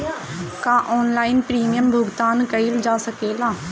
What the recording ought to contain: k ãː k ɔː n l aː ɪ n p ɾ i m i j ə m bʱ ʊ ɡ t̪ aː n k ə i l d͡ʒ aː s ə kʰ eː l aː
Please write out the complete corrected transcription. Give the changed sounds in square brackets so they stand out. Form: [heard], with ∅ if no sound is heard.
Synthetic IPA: k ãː [ʔ] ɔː n l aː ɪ n p ɾ [iː] m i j ə m bʱ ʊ ɡ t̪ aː n k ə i l d͡ʒ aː s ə [k] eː l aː